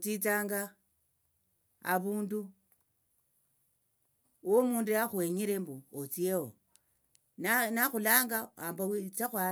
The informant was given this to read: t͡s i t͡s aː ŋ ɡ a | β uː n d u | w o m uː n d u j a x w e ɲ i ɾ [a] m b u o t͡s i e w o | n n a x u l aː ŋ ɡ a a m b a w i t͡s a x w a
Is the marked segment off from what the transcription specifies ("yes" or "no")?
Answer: yes